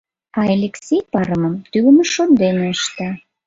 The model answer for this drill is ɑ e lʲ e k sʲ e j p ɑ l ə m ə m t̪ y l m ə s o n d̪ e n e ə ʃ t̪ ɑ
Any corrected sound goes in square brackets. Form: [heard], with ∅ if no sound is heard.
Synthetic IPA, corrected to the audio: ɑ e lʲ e k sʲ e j p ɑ [ɾ] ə m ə m t̪ y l m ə [ʃ] o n d̪ e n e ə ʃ t̪ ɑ

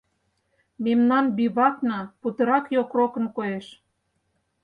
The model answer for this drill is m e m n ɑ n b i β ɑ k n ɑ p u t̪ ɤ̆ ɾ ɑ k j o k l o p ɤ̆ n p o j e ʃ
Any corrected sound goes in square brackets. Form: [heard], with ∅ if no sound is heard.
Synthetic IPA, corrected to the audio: m e m n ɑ n b i β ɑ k n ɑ p u t̪ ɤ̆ ɾ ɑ k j o k [r] o [k] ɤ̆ n [k] o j e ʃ

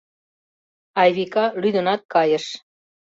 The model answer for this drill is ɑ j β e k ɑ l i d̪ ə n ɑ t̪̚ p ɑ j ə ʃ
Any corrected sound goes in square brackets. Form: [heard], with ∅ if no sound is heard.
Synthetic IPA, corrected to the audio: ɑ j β [i] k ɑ l [y] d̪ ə n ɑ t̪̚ [k] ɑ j ə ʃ

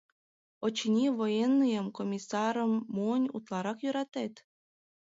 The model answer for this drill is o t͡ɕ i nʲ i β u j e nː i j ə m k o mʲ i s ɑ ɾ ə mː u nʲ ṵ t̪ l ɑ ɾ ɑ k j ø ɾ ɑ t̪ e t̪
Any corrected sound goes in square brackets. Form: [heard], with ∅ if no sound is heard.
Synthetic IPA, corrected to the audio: o t͡ɕ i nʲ i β [o] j e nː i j ə m k o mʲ i s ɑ ɾ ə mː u nʲ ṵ t̪ l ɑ ɾ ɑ k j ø ɾ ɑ t̪ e t̪

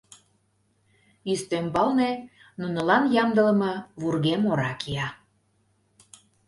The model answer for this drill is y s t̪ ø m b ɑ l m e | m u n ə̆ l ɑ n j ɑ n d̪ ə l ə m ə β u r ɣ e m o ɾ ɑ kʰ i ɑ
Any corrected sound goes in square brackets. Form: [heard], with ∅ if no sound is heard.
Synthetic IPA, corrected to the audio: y s t̪ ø m b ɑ l [n] e | [n] u n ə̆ l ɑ n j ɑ [m] d̪ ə l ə m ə β u r ɣ e m o ɾ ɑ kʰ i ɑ

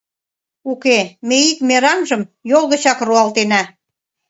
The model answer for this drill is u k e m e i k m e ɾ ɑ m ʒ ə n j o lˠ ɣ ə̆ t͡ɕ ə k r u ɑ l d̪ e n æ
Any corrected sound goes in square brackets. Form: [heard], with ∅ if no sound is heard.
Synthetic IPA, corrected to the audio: u k e m e i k m e ɾ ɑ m ʒ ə [m] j o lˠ ɣ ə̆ t͡ɕ [ɑ] k r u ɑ l [t̪] e n æ

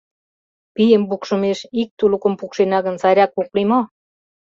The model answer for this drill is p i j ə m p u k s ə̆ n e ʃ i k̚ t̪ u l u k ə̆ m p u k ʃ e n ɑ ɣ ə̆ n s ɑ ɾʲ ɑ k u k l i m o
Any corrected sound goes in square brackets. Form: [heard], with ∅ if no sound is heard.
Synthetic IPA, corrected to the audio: p i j ə m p u k [ʃ] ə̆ [m] e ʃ i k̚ t̪ u l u k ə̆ m p u k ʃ e n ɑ ɣ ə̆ n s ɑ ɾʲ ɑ k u k l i m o

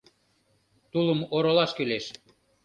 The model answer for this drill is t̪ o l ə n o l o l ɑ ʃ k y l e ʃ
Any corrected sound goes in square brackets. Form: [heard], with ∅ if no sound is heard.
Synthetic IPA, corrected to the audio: t̪ [u] l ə [m] o [ɾ] o l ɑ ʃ k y l e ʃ

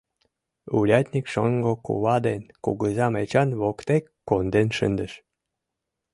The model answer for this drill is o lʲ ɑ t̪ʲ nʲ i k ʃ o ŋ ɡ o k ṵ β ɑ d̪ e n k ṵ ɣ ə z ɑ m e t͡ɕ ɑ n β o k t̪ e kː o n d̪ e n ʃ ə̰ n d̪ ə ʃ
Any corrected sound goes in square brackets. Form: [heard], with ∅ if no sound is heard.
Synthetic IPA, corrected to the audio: [u] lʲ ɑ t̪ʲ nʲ i k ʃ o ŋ ɡ o k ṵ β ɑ d̪ e n k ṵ ɣ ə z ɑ m e t͡ɕ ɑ n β o k t̪ e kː o n d̪ e n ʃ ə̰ n d̪ ə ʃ

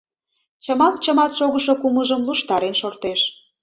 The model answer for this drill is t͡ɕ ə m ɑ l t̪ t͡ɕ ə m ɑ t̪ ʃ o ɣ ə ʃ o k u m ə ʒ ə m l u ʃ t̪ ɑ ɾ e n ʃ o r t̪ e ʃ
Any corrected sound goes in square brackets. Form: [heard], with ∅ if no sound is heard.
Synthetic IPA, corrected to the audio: t͡ɕ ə m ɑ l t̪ t͡ɕ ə m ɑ t̪ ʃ o ɣ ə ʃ o k u m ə ʒ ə m l u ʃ t̪ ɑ ɾ e n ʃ o r t̪ e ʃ

